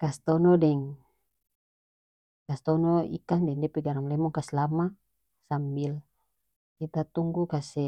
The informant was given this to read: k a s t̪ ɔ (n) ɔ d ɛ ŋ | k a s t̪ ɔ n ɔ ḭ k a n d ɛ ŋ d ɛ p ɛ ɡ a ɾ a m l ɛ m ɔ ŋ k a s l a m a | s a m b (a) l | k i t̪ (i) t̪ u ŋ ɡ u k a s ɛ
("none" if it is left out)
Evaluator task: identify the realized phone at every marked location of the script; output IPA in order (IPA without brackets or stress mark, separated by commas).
n, i, a